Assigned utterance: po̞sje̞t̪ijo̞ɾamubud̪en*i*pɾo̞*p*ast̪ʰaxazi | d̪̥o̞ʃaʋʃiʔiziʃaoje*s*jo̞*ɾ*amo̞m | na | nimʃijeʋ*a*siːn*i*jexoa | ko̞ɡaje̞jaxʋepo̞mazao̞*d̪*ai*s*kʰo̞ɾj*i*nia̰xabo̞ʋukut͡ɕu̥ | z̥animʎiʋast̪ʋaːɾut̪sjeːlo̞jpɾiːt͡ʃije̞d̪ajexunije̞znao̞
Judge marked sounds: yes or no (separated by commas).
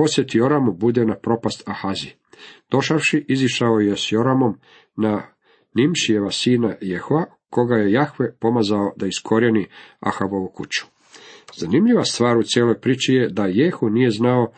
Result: no, yes, yes, yes, yes, no, yes, yes, no